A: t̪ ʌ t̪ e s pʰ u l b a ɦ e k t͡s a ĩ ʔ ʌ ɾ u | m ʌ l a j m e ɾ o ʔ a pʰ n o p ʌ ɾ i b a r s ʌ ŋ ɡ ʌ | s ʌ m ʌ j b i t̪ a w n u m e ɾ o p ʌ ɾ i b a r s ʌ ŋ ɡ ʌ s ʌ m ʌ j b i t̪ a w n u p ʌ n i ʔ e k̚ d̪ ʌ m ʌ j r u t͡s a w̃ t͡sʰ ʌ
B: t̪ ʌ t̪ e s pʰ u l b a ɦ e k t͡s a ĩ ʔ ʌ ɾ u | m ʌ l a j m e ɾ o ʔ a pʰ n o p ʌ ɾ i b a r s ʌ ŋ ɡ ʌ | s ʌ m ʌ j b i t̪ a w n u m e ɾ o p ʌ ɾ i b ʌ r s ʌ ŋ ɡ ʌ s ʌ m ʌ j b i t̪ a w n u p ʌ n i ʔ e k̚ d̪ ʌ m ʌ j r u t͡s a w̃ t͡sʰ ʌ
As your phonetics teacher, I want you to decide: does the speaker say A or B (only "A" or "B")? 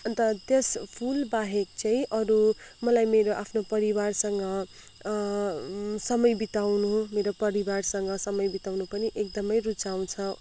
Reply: A